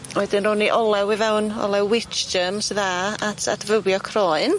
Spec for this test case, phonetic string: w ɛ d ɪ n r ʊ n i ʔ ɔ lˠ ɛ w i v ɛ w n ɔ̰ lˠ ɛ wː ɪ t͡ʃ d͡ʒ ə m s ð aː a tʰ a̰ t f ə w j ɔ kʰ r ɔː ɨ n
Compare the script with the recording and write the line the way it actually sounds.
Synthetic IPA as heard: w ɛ d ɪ n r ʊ n i ʔ ɔ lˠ ɛ w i v ɛ w n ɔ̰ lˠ ɛ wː ɪ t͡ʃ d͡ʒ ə m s ð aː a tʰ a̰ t v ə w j ɔ kʰ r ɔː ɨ n